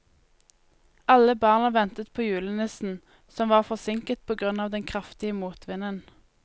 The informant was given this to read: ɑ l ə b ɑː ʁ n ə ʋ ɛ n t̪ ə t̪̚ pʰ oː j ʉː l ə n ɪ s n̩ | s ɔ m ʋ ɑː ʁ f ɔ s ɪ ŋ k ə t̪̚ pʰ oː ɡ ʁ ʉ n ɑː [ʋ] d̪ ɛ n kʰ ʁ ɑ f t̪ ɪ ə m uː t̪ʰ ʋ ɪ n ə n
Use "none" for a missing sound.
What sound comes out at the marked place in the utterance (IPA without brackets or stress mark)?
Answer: ʋ